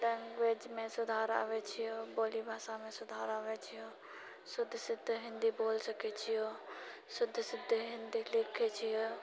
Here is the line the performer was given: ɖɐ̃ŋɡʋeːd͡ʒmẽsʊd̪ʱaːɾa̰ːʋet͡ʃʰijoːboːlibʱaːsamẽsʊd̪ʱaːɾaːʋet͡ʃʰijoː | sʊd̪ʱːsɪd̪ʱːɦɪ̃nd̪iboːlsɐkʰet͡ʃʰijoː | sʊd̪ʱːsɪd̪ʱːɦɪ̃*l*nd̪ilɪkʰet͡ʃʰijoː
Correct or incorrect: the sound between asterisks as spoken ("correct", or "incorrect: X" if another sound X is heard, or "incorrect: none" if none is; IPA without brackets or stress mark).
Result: incorrect: none